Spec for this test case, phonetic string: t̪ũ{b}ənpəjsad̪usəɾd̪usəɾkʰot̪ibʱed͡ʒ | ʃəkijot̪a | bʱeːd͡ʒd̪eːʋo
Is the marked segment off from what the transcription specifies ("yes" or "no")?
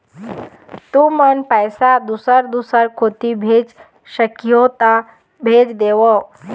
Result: yes